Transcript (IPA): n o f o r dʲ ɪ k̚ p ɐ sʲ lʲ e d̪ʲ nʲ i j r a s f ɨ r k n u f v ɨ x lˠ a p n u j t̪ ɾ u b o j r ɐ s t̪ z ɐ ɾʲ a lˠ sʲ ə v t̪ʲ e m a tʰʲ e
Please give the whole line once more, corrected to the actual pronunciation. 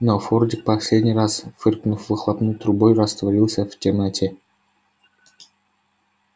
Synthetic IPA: n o f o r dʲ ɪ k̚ p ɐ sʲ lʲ e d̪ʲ nʲ i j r a s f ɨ r k n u f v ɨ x lˠ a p n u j t̪ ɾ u b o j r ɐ s t̪ v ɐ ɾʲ i lˠ sʲ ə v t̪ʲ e m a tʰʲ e